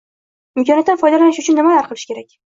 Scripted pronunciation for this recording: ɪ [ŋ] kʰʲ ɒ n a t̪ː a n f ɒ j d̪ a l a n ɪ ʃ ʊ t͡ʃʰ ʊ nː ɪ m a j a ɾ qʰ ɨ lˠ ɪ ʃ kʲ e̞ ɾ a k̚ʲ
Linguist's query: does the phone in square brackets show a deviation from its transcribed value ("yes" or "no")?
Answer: yes